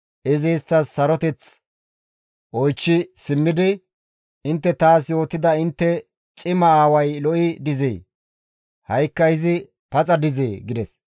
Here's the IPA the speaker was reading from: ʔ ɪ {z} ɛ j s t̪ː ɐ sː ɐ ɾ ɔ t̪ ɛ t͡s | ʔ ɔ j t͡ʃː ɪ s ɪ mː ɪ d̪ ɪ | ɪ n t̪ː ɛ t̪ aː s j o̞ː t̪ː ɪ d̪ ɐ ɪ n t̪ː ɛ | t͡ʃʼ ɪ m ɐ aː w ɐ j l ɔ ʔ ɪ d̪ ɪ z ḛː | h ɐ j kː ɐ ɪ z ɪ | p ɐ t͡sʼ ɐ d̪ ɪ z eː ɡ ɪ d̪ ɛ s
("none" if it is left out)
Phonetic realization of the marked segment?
z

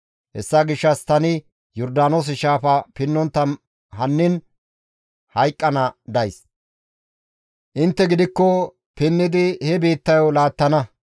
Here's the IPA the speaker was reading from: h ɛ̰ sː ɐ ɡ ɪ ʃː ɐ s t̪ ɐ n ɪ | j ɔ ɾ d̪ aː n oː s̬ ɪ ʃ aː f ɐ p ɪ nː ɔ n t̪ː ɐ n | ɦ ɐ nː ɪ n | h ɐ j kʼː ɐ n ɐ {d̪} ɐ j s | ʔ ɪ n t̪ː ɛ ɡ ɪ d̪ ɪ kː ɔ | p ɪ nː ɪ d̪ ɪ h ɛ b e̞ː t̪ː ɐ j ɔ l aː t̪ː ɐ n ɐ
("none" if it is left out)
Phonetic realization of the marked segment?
d̪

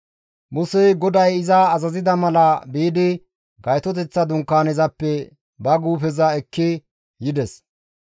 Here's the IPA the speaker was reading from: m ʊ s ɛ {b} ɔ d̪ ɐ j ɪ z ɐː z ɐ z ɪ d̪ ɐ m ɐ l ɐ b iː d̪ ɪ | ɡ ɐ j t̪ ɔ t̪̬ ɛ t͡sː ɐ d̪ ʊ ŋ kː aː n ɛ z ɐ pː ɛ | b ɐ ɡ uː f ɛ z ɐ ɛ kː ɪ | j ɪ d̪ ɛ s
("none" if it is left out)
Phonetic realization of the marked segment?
ɡ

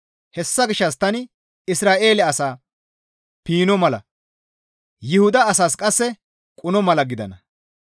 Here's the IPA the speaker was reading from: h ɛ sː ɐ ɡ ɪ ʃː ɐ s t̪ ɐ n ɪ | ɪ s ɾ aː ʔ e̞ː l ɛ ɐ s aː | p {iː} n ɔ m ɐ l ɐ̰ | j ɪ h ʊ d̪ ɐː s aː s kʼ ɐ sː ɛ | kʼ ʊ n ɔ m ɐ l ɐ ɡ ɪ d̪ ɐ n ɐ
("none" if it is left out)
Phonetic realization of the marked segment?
iː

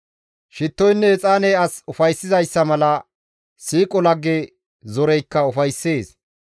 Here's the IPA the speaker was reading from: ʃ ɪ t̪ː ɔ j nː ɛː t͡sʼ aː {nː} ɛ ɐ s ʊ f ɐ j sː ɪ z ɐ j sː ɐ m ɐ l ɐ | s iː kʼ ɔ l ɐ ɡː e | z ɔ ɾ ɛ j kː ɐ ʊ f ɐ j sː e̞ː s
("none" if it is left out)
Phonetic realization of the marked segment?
n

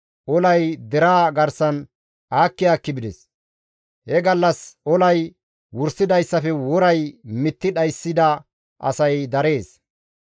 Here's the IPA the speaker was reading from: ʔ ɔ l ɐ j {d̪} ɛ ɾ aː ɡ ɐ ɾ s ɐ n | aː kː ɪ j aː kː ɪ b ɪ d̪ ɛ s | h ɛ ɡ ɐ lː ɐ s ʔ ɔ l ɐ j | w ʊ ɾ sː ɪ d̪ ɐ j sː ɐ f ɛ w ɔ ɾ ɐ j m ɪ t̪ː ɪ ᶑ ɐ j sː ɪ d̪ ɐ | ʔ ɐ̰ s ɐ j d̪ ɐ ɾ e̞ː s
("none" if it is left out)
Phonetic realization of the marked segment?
d̪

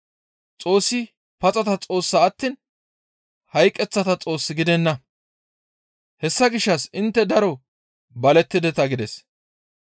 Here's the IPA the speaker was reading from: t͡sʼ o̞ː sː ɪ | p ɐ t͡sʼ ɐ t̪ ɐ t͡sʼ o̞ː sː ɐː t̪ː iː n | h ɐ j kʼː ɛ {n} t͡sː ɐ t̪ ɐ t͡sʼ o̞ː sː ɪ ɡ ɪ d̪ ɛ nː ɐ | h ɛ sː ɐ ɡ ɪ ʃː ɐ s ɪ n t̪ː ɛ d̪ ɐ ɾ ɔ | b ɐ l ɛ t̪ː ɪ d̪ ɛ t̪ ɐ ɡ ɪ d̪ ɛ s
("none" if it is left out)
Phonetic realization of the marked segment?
none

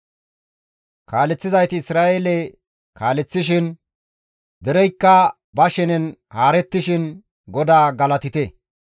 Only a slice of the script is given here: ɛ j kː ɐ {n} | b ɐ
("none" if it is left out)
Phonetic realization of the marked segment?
none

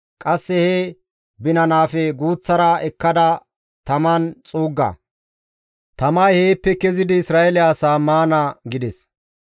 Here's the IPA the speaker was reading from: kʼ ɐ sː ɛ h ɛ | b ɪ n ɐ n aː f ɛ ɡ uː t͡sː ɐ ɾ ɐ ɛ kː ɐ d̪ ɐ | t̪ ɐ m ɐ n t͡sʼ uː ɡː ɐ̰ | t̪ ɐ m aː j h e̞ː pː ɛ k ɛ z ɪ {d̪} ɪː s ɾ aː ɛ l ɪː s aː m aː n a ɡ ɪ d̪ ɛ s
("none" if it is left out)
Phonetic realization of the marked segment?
d̪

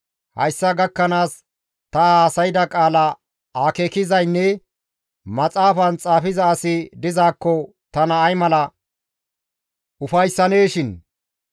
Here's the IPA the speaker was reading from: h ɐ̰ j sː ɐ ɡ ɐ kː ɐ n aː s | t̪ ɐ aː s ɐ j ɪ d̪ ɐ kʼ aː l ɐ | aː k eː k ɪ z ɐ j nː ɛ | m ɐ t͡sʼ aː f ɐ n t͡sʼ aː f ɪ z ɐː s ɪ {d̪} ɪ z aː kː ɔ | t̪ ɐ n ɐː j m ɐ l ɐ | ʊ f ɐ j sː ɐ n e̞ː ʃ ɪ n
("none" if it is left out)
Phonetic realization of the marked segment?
d̪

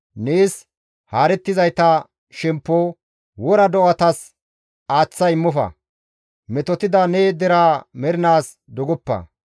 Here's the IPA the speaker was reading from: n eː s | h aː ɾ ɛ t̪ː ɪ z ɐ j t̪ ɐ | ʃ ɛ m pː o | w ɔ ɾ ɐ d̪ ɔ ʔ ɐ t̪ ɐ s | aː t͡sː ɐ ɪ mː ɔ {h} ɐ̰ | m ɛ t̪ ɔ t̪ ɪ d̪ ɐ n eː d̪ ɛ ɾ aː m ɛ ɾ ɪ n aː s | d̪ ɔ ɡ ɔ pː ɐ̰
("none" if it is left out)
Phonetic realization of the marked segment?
f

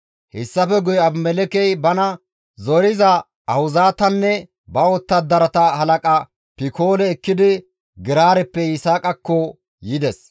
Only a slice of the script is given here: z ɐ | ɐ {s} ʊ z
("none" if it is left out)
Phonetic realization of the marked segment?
h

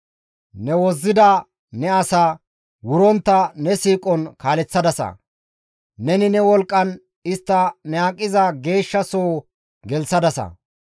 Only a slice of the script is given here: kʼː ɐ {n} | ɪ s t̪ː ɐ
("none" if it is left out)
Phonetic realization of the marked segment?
n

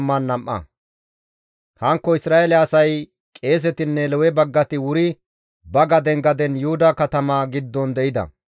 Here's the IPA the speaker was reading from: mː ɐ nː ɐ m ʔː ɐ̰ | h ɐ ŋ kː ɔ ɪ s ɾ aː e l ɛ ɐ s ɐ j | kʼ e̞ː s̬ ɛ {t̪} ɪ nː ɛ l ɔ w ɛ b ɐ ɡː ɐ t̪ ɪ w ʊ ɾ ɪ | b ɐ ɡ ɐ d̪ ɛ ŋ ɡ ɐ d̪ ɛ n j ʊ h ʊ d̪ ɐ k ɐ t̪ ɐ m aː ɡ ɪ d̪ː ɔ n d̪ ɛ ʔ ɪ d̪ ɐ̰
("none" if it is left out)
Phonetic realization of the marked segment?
t̪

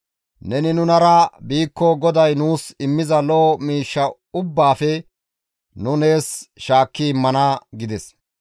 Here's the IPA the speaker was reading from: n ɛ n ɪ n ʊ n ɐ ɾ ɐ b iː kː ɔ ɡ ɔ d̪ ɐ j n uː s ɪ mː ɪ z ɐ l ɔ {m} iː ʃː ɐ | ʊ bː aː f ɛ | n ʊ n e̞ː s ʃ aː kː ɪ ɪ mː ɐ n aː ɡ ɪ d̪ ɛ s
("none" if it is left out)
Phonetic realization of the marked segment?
m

